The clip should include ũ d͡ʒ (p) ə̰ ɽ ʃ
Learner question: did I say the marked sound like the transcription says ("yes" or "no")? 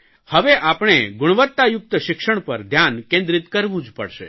yes